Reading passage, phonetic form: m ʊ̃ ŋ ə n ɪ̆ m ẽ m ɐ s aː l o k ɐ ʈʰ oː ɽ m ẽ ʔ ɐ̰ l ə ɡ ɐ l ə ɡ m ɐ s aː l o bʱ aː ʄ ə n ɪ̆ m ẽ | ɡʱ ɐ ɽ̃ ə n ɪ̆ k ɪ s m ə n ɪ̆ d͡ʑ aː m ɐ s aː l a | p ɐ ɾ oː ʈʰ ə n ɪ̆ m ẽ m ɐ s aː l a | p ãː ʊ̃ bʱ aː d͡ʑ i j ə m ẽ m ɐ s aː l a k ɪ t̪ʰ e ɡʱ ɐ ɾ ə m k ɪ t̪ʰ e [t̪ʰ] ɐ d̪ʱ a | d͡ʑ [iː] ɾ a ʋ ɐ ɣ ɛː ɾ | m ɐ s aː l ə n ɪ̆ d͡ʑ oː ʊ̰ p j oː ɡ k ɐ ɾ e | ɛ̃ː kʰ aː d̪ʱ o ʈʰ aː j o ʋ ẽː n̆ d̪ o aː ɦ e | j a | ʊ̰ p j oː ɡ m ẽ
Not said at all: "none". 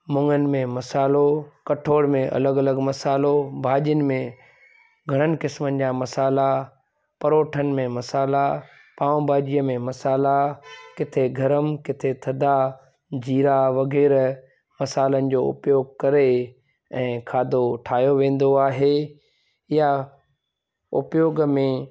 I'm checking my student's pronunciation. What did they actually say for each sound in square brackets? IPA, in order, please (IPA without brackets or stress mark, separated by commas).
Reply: t̪ʰ, iː